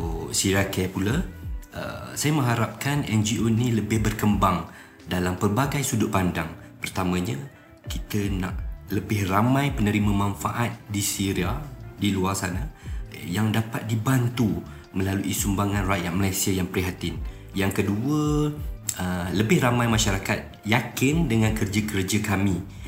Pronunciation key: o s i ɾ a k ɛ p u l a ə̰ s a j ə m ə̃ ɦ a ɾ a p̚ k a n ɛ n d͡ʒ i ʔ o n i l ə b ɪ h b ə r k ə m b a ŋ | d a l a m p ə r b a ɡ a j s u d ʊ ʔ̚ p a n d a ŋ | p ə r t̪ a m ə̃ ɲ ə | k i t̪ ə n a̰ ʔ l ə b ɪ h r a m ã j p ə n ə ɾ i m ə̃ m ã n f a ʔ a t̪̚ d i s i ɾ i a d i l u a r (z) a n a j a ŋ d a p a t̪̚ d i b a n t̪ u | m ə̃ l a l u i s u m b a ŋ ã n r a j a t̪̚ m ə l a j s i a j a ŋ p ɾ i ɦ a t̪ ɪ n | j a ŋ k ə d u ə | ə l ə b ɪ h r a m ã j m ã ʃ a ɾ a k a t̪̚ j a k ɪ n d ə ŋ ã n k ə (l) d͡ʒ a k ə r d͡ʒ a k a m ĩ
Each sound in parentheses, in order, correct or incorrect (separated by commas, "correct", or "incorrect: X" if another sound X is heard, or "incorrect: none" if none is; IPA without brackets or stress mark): incorrect: s, incorrect: r